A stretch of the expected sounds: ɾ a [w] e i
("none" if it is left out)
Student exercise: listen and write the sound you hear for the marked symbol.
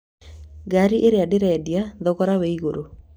w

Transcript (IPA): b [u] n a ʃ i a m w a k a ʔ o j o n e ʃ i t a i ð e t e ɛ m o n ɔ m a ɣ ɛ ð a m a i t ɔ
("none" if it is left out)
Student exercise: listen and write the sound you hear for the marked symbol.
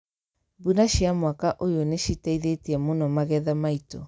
u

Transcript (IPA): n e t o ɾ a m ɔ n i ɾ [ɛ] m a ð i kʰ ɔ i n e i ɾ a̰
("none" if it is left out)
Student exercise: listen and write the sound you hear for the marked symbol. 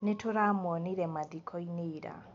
ɛ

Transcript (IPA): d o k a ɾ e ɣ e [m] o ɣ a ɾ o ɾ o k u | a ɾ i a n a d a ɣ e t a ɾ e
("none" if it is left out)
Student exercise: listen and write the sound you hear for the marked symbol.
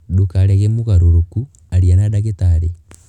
m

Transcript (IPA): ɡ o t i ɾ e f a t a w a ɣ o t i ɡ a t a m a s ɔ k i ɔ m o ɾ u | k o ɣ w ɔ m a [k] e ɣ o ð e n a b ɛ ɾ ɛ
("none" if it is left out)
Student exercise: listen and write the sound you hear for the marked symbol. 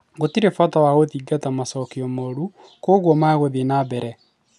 none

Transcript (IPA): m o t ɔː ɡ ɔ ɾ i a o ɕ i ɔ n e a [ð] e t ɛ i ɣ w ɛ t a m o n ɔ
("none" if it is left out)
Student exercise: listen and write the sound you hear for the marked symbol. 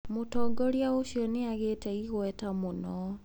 ɣ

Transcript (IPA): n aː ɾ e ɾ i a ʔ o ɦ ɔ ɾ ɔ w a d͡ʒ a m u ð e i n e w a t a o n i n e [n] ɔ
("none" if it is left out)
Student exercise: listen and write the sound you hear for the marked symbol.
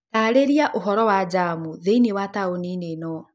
n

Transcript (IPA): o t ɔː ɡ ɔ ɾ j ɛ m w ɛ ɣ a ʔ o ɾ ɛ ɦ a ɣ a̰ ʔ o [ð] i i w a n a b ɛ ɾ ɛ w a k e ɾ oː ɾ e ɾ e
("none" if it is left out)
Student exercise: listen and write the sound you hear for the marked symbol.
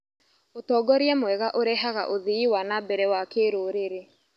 ð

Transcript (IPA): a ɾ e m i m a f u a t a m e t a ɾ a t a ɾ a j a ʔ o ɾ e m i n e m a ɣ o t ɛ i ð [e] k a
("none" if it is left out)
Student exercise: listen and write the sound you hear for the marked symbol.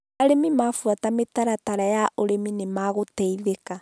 e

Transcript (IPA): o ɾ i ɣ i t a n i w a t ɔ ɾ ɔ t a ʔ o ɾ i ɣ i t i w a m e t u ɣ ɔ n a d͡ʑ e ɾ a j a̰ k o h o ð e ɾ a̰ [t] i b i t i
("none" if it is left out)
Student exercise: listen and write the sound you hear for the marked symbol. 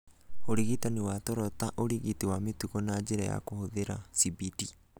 s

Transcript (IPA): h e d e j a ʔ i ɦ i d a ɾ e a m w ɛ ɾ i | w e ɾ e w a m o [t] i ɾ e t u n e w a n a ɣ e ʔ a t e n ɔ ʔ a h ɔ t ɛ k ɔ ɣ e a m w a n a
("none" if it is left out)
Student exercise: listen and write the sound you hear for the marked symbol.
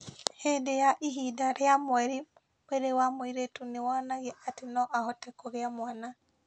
none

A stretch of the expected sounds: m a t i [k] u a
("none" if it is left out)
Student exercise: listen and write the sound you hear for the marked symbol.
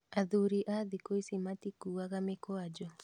k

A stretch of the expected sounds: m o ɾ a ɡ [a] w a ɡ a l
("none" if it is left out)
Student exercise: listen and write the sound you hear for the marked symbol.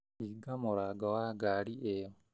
a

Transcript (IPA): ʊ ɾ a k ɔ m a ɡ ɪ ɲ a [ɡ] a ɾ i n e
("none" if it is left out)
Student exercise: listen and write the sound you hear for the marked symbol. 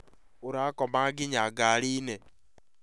ɡ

